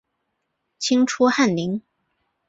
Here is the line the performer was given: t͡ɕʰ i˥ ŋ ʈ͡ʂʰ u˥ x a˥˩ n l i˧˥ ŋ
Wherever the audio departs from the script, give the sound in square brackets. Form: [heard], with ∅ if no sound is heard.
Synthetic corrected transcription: t͡ɕʰ i˥ ŋ ʈ͡ʂʰ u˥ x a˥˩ n l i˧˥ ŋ